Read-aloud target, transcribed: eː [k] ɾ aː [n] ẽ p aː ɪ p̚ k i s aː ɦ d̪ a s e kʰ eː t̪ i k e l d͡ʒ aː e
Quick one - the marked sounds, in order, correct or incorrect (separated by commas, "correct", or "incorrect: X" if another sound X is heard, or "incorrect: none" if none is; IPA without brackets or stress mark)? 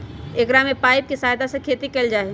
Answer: correct, incorrect: m